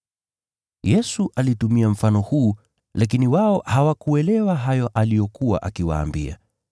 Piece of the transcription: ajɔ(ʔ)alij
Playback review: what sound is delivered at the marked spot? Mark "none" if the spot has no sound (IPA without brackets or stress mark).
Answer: ʔ